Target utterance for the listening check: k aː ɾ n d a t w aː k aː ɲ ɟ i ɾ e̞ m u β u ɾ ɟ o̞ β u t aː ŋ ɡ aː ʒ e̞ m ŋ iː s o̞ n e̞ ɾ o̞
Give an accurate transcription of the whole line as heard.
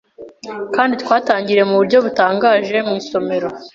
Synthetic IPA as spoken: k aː n d i t w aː t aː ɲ ɟ i ɾ e̞ m u β u ɾ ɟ o̞ β u t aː ŋ ɡ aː ʒ e̞ m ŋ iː s o̞ m e̞ ɾ o̞